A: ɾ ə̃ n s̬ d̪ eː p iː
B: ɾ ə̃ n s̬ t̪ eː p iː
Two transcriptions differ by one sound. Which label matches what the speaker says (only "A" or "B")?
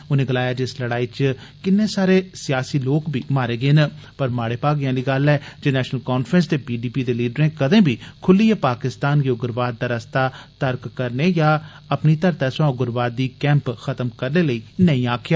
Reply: B